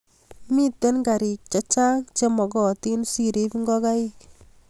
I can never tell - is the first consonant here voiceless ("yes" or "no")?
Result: no